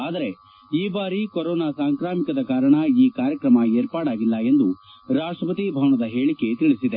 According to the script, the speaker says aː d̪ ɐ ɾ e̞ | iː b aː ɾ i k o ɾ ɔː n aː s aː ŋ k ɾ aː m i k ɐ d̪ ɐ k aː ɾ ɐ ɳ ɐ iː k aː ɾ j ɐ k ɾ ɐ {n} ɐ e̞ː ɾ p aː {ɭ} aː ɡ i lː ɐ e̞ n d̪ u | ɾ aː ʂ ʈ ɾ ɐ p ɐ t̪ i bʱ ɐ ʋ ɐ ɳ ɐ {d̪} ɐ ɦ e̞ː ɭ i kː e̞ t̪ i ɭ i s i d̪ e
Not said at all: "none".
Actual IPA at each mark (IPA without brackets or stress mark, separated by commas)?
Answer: m, ɽ, d̪